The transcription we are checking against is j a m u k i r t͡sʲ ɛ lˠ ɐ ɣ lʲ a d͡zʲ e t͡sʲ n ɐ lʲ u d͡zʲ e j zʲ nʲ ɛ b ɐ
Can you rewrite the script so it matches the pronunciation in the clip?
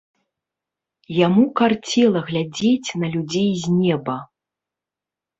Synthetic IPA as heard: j a m u k a r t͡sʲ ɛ lˠ ɐ ɣ lʲ a d͡zʲ e t͡sʲ n ɐ lʲ u d͡zʲ e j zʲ nʲ ɛ b ɐ

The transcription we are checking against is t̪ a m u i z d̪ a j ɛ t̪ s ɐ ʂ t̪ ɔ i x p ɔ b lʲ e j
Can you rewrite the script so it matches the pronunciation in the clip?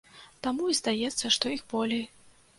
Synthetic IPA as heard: t̪ a m u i z d̪ a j ɛ t̪ sː ɐ ʂ t̪ ɔ i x b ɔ lʲ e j

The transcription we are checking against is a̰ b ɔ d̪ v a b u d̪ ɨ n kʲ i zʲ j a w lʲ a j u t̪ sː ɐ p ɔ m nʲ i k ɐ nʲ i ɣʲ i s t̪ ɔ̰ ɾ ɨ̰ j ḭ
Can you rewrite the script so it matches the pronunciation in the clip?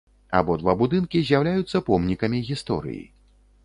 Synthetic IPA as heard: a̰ b ɔ d̪ v a b u d̪ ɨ n kʲ i zʲ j a w lʲ a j u t̪ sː ɐ p ɔ m nʲ i k ɐ mʲ i ɣʲ i s t̪ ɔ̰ ɾ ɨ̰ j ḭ

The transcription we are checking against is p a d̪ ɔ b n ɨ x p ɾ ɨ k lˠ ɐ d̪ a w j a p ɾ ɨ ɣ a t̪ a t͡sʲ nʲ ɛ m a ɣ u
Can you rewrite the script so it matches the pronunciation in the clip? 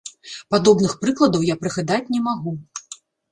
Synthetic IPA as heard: p a d̪ ɔ b n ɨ x p ɾ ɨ k lˠ ɐ d̪ ɐ w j a p ɾ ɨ ɣ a d̪ a t͡sʲ nʲ ɛ m a ɣ u

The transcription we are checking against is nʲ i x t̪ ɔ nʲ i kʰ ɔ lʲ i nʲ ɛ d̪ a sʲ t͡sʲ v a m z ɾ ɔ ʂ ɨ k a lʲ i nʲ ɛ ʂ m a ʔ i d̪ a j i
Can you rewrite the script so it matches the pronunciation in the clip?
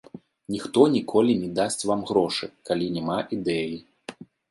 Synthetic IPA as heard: nʲ i x t̪ ɔ nʲ i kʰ ɔ lʲ i nʲ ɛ d̪ a sʲ t͡sʲ v a m ɣ ɾ ɔ ʂ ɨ k a lʲ i nʲ ɛ m a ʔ i d̪ ɛ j i

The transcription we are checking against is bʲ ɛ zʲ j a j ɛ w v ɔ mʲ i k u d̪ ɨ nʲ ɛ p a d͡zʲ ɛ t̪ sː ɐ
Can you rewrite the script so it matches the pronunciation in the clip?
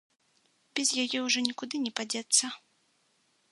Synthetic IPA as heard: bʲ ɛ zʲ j a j ɛ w ʐ ɔ nʲ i k u d̪ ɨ nʲ ɛ p a d͡zʲ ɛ t̪ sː ɐ

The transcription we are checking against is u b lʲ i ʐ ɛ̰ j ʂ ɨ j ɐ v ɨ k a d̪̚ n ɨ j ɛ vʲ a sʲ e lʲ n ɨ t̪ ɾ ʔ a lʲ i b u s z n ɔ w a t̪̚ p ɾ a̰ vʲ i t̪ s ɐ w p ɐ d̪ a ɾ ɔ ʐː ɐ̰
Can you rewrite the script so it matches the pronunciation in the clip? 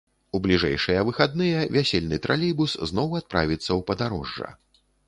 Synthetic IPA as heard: u b lʲ i ʐ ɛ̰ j ʂ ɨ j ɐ v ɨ x a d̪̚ n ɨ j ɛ vʲ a sʲ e lʲ n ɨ t̪ ɾ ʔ a lʲ i b u s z n ɔ w a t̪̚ p ɾ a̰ vʲ i t̪ sː ɐ w p ɐ d̪ a ɾ ɔ ʐː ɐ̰

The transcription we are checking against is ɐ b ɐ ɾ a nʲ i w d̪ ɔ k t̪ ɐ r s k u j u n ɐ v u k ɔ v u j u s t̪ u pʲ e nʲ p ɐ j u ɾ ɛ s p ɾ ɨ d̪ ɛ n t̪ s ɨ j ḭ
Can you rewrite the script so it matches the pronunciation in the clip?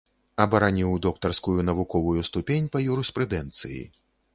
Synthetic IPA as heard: ɐ b ɐ ɾ a nʲ i w d̪ ɔ k t̪ ɐ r s k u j u n ɐ v u k ɔ v u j u s t̪ u pʲ e nʲ p ɐ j u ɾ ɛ s p ɾ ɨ d̪ ɛ n t̪ s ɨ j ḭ

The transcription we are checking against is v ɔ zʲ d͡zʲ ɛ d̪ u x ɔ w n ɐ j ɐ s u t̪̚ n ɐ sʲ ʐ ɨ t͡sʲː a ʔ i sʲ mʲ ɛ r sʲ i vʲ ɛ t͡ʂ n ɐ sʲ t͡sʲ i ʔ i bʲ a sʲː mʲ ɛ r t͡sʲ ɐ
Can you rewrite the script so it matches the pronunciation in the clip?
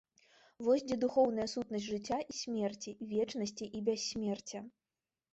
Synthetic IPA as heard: v ɔ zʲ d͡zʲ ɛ d̪ u x ɔ w n ɐ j ɐ s u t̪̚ n ɐ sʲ ʐ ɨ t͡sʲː a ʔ i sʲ mʲ ɛ r t͡sʲ i vʲ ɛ t͡ʂ n ɐ sʲ t͡sʲ i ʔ i bʲ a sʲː mʲ ɛ r t͡sʲ ɐ

